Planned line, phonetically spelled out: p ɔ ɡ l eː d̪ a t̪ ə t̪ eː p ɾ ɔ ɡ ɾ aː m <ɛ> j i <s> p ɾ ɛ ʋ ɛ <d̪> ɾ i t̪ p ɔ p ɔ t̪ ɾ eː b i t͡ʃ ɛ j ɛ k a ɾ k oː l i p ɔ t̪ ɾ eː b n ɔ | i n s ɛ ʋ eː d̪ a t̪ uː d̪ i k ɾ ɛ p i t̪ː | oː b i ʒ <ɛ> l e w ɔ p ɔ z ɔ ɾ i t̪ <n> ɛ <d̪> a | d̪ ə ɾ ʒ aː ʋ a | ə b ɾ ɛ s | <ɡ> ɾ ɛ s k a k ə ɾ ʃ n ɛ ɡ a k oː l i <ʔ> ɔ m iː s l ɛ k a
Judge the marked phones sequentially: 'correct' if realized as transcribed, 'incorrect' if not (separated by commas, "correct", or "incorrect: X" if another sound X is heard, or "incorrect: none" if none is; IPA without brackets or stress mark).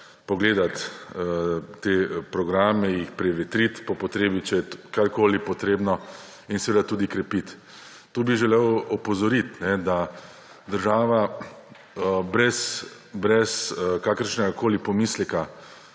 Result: correct, incorrect: x, incorrect: t̪, correct, correct, correct, incorrect: b, incorrect: p